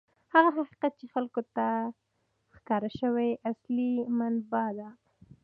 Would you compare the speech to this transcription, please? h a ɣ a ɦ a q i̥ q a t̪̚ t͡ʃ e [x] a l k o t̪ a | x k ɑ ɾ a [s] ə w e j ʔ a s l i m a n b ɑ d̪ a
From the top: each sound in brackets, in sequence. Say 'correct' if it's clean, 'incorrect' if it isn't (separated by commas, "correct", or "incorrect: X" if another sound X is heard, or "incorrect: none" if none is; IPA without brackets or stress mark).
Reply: correct, incorrect: ʃ